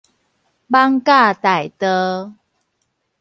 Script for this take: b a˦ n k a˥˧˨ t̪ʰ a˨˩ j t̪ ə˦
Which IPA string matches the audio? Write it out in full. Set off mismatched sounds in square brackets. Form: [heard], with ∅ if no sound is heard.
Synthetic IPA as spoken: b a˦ [ŋ] k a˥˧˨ [t̪] a˨˩ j t̪ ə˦